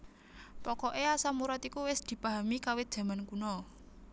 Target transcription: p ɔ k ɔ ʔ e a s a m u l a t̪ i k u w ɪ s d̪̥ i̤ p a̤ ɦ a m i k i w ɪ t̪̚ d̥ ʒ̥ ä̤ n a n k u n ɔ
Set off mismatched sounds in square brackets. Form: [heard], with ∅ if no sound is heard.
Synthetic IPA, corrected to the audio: p ɔ k ɔ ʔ e a s a m u [ɾ] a t̪ i k u w ɪ s d̪̥ i̤ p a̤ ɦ a m i k [a] w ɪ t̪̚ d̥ ʒ̥ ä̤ [m] a n k u n ɔ